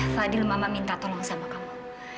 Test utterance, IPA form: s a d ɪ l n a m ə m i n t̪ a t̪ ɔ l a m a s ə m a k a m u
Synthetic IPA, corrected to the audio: f a d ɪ l m a m a m i n t̪ a t̪ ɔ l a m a s a m a k a m u